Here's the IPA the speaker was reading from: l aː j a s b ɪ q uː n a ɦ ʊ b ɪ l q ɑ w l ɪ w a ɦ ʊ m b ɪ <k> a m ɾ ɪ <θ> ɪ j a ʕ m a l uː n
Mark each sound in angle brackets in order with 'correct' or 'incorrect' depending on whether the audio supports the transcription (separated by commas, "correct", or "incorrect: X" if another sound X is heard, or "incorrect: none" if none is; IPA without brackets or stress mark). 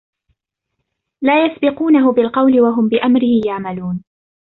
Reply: incorrect: ʔ, incorrect: h